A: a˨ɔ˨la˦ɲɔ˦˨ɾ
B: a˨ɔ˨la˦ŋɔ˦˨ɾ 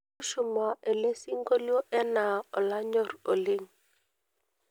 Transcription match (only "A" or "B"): A